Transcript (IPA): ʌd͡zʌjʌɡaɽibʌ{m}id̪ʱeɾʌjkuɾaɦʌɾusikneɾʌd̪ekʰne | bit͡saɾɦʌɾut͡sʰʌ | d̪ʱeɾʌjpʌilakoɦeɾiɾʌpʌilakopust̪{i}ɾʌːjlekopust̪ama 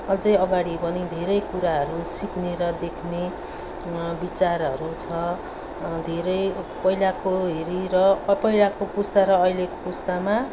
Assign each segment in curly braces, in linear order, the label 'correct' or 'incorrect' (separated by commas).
incorrect, incorrect